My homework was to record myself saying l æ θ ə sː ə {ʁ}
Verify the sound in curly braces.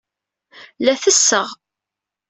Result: correct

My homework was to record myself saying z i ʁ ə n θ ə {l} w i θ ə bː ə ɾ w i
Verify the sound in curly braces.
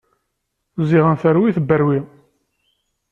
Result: incorrect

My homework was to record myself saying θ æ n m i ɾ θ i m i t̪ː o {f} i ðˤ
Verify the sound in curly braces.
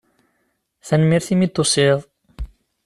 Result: incorrect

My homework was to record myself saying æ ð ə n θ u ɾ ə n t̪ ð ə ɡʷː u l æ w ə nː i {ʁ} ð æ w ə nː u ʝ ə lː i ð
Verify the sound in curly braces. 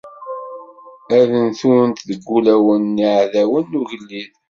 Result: incorrect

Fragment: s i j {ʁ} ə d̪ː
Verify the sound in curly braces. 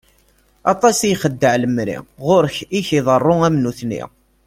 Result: incorrect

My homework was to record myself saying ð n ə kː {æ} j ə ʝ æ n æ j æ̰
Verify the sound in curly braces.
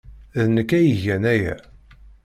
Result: correct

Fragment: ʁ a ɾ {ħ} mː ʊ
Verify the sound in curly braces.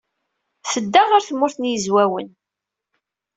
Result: incorrect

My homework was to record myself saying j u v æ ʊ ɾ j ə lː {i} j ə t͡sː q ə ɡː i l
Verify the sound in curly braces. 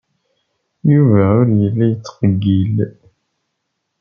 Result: incorrect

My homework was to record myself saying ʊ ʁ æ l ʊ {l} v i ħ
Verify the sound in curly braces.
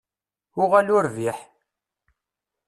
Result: incorrect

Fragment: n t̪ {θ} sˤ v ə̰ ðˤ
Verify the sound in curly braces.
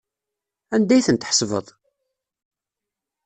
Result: incorrect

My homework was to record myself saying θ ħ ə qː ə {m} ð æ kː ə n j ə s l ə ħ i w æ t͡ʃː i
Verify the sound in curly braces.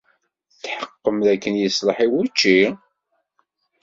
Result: correct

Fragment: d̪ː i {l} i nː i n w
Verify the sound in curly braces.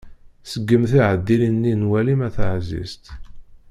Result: correct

